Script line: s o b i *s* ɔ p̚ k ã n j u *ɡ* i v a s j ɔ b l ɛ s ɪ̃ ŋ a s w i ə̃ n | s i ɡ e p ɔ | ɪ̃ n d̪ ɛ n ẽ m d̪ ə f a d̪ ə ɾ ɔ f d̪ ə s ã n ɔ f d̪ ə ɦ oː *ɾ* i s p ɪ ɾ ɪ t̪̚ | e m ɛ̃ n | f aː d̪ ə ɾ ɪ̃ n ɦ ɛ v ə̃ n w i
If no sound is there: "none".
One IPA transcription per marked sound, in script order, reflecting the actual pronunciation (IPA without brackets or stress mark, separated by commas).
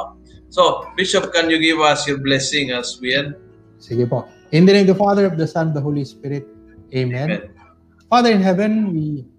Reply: ʃ, ɡ, l